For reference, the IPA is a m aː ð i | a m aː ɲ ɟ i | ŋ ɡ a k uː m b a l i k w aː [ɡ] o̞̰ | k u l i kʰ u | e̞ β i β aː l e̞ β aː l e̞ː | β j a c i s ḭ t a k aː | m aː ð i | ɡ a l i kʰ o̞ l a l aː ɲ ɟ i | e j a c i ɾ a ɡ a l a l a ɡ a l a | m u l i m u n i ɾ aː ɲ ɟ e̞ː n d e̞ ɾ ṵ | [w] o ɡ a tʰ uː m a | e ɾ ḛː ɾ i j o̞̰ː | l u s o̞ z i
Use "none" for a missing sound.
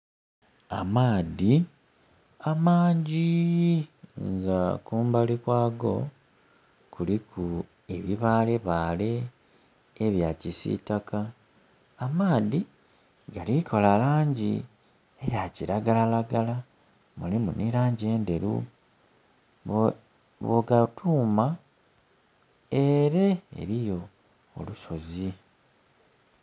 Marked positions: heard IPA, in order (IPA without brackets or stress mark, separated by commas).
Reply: ɡ, β